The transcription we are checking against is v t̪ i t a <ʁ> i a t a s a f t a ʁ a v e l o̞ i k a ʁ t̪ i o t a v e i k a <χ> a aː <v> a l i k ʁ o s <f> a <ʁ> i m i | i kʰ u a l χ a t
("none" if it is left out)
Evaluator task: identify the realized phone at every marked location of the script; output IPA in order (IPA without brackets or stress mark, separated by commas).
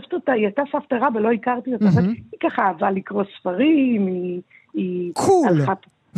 none, χ, v, f, ʁ